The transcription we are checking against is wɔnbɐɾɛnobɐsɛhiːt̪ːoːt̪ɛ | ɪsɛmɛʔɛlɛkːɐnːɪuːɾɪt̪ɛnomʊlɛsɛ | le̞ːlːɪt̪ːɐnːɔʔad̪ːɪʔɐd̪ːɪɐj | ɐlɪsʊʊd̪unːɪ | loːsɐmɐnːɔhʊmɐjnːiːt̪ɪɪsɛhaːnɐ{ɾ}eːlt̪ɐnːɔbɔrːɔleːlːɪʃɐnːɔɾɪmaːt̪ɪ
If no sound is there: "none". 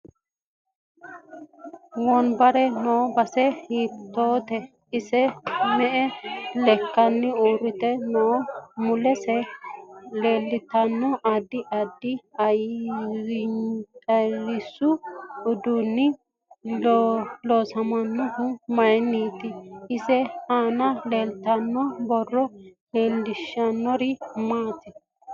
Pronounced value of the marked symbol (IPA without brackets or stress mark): l